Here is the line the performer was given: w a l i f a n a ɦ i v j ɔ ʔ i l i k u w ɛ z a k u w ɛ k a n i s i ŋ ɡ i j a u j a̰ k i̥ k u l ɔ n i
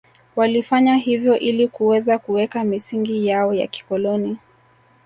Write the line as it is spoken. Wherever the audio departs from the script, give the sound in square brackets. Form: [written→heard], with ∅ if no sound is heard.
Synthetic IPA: w a l i f a [n→ɲ] a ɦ i v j ɔ ʔ i l i k u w ɛ z a k u w ɛ k a [n→m] i s i ŋ ɡ i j a [u→ɔ] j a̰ k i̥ k [u→ɔ] l ɔ n i